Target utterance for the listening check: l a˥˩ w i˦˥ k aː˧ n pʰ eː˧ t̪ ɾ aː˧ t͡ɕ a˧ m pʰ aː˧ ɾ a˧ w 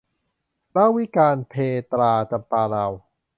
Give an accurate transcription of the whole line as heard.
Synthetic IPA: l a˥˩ w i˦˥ k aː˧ n pʰ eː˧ t̪ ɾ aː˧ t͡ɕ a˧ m p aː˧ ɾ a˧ w